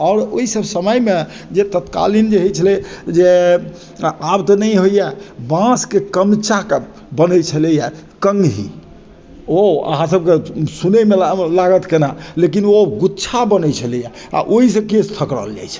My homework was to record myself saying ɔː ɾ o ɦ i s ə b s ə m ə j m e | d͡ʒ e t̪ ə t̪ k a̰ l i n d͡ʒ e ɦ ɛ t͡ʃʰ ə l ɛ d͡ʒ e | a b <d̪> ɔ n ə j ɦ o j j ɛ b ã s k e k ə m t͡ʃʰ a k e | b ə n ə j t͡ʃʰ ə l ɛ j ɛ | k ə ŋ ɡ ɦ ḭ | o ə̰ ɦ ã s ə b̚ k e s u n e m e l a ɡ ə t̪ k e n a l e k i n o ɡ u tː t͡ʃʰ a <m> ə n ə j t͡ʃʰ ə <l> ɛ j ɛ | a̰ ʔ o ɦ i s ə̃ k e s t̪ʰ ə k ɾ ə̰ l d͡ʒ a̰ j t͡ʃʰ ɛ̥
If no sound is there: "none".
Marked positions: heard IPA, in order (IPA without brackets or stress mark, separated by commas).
t̪, b, l